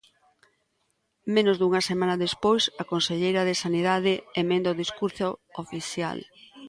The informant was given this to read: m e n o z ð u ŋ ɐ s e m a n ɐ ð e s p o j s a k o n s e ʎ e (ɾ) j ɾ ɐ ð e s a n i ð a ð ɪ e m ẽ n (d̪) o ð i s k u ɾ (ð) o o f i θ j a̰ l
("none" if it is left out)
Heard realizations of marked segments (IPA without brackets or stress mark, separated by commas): none, d̪, θ